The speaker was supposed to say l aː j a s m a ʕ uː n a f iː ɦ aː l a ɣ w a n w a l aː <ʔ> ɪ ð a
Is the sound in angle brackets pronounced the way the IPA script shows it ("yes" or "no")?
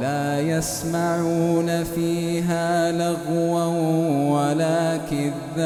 no